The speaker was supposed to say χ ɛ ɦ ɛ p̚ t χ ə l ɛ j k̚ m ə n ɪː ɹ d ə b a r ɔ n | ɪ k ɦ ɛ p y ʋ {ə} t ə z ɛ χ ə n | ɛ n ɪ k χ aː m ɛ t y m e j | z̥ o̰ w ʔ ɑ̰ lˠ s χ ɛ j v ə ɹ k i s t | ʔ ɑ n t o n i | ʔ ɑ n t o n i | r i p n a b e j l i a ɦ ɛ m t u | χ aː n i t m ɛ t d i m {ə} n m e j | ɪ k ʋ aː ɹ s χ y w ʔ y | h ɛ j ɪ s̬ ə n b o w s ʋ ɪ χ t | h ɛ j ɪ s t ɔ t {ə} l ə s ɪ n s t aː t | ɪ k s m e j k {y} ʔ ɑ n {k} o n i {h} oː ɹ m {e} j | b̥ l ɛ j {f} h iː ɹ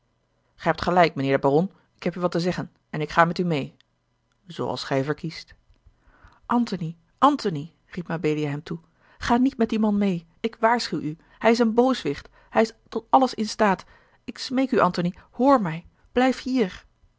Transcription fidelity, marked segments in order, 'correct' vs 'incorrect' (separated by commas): incorrect, incorrect, incorrect, correct, incorrect, correct, incorrect, correct